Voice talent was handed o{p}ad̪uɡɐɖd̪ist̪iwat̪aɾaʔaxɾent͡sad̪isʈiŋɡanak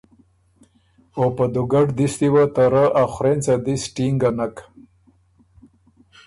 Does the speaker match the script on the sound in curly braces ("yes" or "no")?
yes